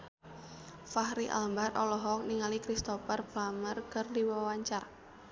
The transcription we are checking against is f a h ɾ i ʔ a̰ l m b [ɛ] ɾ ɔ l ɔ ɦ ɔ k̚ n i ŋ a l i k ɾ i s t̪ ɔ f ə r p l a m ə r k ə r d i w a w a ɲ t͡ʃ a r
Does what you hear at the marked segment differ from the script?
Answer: yes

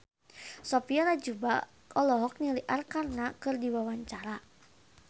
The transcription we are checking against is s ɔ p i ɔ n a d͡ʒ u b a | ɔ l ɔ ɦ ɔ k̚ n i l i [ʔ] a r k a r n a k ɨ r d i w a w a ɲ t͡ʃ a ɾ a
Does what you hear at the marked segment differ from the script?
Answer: no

